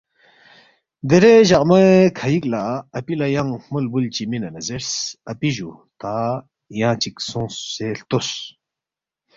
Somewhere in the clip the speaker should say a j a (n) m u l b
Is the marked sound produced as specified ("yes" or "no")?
no